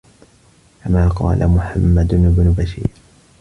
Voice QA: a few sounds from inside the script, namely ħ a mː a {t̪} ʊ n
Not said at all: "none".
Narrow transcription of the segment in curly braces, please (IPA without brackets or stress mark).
d̪